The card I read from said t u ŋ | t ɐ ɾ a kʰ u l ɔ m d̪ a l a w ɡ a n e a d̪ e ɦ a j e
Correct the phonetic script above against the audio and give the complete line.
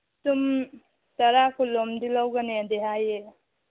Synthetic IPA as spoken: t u m | t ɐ ɾ a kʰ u l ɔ m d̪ i l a w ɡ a n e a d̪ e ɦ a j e